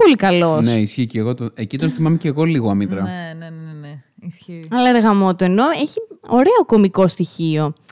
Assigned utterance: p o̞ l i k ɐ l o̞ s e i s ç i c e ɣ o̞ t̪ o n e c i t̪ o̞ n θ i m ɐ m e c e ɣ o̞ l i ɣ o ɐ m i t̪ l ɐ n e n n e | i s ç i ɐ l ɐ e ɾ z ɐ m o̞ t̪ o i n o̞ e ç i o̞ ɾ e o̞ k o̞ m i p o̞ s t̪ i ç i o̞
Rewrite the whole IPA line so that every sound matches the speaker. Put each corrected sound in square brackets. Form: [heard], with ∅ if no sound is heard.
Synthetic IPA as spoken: p o̞ l i k ɐ l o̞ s e i s ç i c e ɣ o̞ t̪ o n e c i t̪ o̞ n θ i m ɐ m e c e ɣ o̞ l i ɣ o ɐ m i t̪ [ɾ] ɐ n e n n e | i s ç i ɐ l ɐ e ɾ [ɣ] ɐ m o̞ t̪ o [e] n o̞ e ç i o̞ ɾ e o̞ k o̞ m i [k] o̞ s t̪ i ç i o̞